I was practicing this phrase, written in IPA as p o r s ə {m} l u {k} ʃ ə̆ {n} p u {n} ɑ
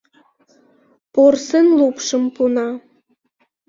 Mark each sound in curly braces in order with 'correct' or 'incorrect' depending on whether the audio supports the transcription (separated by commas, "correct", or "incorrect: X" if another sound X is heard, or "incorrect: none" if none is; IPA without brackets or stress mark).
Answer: incorrect: n, incorrect: p, incorrect: m, correct